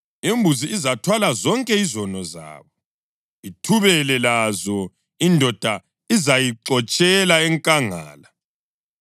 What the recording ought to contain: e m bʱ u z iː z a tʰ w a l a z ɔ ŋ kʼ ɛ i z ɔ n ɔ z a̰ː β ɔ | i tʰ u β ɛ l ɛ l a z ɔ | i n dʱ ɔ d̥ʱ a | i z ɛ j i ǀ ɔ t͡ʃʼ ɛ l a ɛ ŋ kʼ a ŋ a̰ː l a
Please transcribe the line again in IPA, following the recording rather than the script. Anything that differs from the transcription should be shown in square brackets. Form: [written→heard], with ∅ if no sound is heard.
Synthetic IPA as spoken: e m bʱ u z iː z a tʰ w a l a z ɔ ŋ kʼ ɛ i z ɔ n ɔ z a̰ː β ɔ | i tʰ u β ɛ l ɛ l a z ɔ | i n dʱ ɔ d̥ʱ a | i z [ɛ→a] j i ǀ ɔ t͡ʃʼ ɛ l a ɛ ŋ kʼ a ŋ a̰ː l a

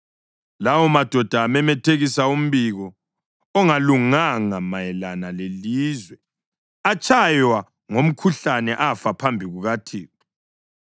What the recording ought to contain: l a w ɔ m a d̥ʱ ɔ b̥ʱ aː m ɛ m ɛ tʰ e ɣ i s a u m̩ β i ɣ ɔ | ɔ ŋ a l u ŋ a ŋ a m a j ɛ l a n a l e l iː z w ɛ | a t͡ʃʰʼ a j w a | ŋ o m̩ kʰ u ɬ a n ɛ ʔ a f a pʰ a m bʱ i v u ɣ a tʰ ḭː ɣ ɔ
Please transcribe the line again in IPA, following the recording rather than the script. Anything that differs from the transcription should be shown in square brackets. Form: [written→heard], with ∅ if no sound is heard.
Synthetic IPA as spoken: l a w ɔ m a d̥ʱ ɔ [b̥ʱ→d̥ʱ] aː m ɛ m ɛ tʰ e ɣ i s a u m̩ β i ɣ ɔ | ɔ ŋ a l u ŋ a ŋ a m a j ɛ l a n a l e l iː z w ɛ | a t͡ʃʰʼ a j w a | ŋ o m̩ kʰ u ɬ a n ɛ ʔ a f a pʰ a m bʱ i [v→ɣ] u ɣ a tʰ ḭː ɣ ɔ

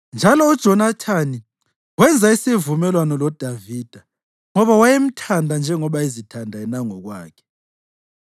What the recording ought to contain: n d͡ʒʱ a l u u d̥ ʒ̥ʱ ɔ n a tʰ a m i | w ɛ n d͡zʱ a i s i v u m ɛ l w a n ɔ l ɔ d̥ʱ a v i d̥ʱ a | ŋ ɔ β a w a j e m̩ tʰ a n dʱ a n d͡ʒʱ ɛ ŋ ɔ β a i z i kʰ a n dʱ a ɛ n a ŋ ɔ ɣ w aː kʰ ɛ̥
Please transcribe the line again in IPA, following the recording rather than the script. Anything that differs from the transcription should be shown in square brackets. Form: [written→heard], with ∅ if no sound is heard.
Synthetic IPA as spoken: n d͡ʒʱ a l [u→ɔ] u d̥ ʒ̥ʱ ɔ n a tʰ a [m→n] i | w ɛ n d͡zʱ a i s i v u m ɛ l w a n ɔ l ɔ d̥ʱ a v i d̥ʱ a | ŋ ɔ β a w a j e m̩ tʰ a n dʱ a n d͡ʒʱ ɛ ŋ ɔ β a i z i [kʰ→tʰ] a n dʱ a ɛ n a ŋ ɔ ɣ w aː kʰ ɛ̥

